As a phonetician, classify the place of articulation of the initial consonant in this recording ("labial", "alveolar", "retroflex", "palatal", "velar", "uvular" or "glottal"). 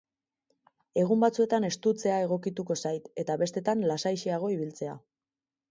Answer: velar